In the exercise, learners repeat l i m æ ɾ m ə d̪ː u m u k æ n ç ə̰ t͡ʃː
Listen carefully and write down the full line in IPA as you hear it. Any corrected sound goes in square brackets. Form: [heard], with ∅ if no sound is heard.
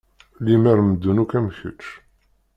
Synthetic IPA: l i m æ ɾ m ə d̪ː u [n] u k æ [m] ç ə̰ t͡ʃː

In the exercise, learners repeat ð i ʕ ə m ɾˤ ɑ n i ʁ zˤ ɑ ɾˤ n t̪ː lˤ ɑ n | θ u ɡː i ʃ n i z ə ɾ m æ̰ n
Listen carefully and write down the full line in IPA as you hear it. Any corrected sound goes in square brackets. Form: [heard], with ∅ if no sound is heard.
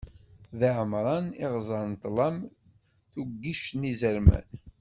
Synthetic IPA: ð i ʕ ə m ɾˤ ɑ n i ʁ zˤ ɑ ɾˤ n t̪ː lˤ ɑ [m] | θ u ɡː i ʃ n i z ə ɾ m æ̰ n

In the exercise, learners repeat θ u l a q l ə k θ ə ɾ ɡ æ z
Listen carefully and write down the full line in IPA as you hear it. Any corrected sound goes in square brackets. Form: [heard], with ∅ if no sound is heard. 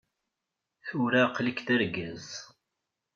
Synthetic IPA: θ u [ɾ] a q l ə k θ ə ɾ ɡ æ z

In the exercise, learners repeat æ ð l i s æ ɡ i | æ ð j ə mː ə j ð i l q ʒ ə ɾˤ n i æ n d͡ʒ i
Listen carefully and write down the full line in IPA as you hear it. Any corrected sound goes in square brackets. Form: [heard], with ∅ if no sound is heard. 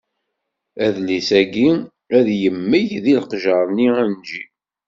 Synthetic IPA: æ ð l i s æ ɡ i | æ ð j ə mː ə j ð i l q ʒ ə ɾˤ n i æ n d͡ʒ i

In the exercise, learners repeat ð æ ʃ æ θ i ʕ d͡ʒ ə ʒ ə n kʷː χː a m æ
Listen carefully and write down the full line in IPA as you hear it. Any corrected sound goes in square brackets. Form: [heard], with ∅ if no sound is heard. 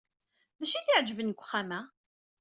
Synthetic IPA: ð æ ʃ [i] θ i ʕ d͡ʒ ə [v] ə n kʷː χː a m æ

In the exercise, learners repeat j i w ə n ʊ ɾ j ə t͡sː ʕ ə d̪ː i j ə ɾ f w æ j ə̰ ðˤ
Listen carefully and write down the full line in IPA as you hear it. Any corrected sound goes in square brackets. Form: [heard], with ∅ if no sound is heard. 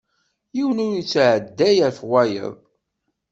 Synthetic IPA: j i w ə n ʊ ɾ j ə t͡sː ʕ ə d̪ː [æ] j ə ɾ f w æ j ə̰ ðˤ

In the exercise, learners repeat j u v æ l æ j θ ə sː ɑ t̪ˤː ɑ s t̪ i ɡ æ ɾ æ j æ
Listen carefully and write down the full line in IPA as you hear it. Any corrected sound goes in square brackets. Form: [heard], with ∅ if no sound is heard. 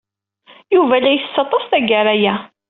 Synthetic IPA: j u v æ l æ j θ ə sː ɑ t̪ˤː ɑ s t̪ [æ] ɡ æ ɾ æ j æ

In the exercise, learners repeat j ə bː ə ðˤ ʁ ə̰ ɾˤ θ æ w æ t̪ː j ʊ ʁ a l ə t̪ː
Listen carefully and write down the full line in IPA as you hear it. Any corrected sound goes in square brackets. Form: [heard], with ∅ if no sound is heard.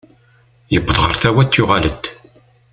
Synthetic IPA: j ə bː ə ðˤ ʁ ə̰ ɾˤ θ æ w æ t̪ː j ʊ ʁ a l ə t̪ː

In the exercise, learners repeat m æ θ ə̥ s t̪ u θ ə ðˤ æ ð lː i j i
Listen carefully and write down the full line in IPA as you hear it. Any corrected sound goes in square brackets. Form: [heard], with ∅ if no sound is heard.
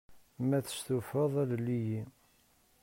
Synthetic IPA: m æ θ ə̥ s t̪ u [f] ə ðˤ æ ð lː i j i

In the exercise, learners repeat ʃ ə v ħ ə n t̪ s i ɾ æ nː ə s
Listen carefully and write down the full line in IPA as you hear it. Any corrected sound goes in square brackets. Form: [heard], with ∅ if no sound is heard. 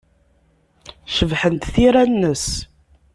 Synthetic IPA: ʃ ə v ħ ə n t̪ [θ] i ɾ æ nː ə s

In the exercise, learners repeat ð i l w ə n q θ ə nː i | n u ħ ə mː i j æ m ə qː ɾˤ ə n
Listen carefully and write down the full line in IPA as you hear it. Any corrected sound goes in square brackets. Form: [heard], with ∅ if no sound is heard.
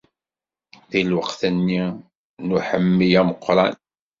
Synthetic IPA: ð i l w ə [∅] q θ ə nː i | n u ħ ə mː i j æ m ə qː ɾˤ [ɑ] n

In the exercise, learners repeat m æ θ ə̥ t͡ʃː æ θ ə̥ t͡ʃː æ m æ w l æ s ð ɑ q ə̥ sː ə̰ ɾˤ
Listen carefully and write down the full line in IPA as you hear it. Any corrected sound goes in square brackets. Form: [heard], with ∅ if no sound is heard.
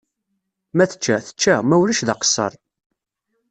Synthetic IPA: m æ θ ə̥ t͡ʃː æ θ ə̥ t͡ʃː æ m æ w l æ [ʃ] ð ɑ q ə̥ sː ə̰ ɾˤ

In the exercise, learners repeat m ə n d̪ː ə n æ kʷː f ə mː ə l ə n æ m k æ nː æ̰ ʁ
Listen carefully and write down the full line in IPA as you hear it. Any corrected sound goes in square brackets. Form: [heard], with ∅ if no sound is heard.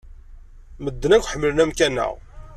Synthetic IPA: m ə [∅] d̪ː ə n æ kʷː [ħ] ə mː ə l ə n æ m k æ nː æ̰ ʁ

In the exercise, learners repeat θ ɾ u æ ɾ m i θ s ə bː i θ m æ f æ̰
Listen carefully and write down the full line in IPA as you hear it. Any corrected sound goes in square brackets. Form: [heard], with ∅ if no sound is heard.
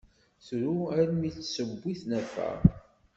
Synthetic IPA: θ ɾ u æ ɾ m i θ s ə bː i θ [n] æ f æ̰

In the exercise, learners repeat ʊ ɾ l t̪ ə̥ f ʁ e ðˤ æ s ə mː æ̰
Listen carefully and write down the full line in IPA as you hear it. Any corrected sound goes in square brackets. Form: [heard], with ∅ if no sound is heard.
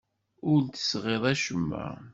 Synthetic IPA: ʊ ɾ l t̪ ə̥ [s] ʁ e ðˤ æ [ʃ] ə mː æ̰

